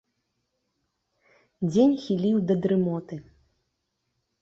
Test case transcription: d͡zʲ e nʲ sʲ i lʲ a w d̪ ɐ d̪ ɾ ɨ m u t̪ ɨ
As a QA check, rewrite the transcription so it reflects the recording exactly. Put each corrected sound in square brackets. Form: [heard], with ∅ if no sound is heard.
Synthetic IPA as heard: d͡zʲ e nʲ [xʲ] i lʲ [i] w d̪ ɐ d̪ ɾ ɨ m [ɔ] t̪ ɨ